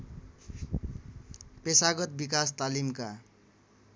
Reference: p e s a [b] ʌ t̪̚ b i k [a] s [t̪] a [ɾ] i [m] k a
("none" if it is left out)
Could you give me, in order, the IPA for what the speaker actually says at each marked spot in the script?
ɡ, a, t̪, l, m

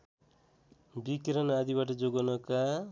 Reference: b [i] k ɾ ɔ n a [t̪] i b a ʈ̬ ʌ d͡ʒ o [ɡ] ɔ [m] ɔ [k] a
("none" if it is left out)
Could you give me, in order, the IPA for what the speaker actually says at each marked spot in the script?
i, d̪, ɡ, n, k

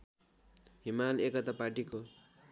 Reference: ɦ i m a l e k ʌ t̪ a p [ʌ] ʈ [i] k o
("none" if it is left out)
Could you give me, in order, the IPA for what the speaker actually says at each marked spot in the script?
a, i

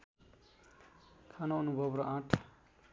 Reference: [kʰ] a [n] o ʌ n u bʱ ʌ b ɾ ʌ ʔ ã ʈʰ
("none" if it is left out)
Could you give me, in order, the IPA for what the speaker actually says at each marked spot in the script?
kʰ, n

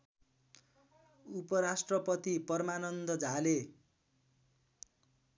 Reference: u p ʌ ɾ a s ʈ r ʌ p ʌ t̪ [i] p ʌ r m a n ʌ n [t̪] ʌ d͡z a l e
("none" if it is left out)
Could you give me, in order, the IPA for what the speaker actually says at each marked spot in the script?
i, d̪

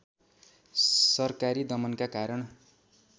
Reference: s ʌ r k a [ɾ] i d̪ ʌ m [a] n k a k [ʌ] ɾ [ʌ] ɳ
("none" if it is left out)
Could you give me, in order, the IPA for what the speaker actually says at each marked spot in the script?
ɾ, ʌ, a, ʌ

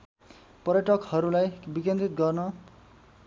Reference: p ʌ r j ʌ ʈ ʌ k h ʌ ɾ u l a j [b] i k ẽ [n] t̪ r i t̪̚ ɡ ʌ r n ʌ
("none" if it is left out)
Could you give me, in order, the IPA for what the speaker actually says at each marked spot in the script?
b, n

